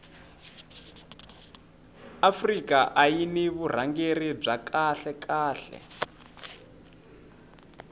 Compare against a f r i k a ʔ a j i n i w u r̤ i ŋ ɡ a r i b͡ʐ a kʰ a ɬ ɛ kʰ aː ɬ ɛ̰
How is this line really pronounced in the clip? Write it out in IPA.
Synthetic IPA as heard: a f r i k a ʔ a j i n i β u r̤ a ŋ ɡ e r i b͡ʐ a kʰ a ɬ ɛ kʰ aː ɬ ɛ̰